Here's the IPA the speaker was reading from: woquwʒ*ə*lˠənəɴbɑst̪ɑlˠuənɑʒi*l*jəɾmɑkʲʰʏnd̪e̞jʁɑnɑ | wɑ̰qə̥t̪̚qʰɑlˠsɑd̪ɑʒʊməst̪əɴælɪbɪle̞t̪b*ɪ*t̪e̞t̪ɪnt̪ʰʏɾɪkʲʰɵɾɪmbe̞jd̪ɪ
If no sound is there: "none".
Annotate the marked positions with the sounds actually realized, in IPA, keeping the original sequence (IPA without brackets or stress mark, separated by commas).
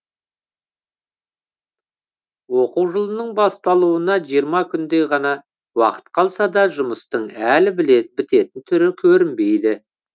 ə, none, ɪ